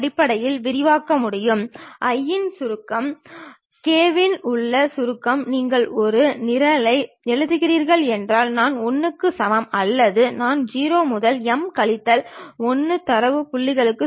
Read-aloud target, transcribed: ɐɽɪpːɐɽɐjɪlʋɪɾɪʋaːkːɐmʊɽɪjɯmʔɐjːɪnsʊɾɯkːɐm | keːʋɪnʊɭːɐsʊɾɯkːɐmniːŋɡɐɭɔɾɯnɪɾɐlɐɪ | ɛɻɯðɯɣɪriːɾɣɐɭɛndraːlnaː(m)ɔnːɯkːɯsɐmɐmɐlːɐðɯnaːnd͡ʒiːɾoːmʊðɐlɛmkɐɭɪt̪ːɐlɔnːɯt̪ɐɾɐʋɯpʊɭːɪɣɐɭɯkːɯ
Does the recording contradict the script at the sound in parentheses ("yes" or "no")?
yes